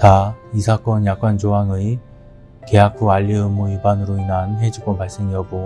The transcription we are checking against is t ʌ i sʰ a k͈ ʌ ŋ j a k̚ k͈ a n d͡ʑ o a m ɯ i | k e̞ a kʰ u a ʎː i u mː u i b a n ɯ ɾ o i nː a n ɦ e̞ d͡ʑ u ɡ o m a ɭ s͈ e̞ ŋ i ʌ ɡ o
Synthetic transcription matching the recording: t a i sʰ a k͈ ʌ n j a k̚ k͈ a n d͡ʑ o a ŋ ɯ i | k e̞ a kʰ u a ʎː i ɯ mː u i b a n ɯ ɾ o i n a n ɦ e̞ d͡ʑ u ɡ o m a ɭ s͈ e̞ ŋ i ʌ ɡ o